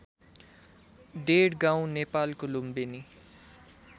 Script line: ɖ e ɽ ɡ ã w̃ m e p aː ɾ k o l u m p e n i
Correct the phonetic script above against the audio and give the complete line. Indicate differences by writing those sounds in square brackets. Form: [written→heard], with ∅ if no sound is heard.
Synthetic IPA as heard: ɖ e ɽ ɡ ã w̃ [m→n] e p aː [ɾ→l] k o l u m [p→b] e n i